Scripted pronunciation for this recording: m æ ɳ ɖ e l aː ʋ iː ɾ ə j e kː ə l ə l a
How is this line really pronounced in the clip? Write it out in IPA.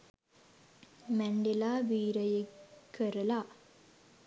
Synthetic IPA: m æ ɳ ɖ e l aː ʋ iː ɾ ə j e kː ə ɾ ə l a